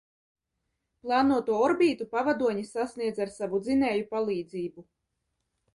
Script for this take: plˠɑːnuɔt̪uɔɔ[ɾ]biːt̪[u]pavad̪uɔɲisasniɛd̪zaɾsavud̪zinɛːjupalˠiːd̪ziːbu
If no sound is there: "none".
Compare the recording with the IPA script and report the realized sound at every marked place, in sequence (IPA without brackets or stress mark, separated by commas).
ɾ, u